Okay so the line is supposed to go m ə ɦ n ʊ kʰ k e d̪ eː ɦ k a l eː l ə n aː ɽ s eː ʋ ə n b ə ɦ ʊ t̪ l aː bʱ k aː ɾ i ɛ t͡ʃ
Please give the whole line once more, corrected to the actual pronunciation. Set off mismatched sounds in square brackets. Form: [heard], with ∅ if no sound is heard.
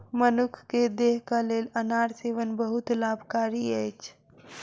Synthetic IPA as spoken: m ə [∅] n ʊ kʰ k e d̪ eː ɦ k a l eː l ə n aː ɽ s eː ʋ ə n b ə ɦ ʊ t̪ l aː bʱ k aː ɾ i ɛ t͡ʃ